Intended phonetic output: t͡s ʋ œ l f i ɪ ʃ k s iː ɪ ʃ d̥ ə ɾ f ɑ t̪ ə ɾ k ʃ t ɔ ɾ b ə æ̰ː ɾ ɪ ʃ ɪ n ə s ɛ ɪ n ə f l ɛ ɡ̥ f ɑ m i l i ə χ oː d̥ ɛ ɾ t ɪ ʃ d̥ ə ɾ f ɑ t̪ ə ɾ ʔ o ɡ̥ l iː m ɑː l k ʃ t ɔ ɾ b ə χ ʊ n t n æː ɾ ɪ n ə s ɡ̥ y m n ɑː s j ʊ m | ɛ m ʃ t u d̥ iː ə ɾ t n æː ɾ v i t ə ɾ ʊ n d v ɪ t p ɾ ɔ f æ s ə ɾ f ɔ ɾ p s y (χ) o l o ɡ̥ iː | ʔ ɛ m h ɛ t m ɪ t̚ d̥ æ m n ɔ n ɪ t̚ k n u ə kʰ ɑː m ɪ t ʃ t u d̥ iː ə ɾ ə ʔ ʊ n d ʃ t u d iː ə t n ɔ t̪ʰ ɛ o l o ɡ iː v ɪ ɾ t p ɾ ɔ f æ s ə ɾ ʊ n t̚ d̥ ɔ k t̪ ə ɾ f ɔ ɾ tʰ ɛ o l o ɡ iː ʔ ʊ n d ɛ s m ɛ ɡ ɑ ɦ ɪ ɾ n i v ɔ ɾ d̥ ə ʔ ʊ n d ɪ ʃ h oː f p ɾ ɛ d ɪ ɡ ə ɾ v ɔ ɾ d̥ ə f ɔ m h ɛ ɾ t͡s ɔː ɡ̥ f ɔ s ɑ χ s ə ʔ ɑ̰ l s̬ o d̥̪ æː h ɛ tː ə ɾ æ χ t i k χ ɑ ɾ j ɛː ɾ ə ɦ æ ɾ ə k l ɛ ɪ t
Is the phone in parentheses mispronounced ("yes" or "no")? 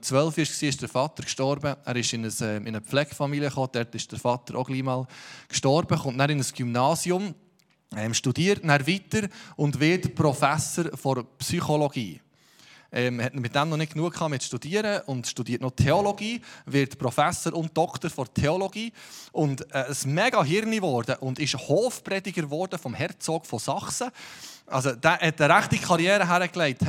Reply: no